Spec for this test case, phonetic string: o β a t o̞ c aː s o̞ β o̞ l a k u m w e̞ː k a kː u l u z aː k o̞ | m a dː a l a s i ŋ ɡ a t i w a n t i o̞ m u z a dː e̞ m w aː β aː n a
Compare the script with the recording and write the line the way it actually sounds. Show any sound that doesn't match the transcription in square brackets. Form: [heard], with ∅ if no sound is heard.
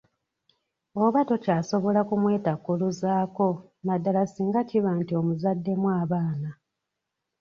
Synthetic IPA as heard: o β a t o̞ c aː s o̞ β o̞ l a k u m w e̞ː [t] a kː u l u z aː k o̞ | m a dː a l a s [iː] ŋ ɡ a [c] i [β] a n t i o̞ m u z a dː e̞ m w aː β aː n a